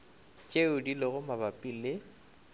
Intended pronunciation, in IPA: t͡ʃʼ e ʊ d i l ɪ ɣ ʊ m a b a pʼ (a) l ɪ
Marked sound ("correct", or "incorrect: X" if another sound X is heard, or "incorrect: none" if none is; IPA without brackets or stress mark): incorrect: i